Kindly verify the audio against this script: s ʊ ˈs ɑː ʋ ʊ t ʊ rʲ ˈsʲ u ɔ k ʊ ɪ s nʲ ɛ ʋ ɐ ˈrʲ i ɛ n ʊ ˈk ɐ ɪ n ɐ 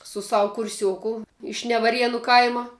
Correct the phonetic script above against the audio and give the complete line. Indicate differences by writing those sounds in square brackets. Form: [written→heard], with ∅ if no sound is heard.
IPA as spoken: s ʊ ˈs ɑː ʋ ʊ [t→k] ʊ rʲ ˈsʲ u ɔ k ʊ ɪ [s→ʃ] nʲ ɛ ʋ ɐ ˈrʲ i ɛ n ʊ ˈk ɐ ɪ [n→m] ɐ